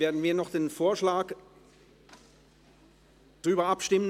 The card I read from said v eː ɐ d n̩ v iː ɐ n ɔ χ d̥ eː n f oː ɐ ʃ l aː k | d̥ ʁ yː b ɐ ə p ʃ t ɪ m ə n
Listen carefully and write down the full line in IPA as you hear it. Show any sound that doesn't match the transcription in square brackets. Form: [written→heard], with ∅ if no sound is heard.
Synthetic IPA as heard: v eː ɐ d n̩ v iː ɐ n ɔ χ d̥ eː n f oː ɐ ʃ l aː k | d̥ ʁ yː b ɐ [ə→a] p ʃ t ɪ m ə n